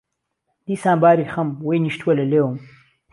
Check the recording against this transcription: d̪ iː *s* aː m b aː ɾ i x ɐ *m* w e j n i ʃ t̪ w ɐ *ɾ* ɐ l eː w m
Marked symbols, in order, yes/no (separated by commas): yes, yes, no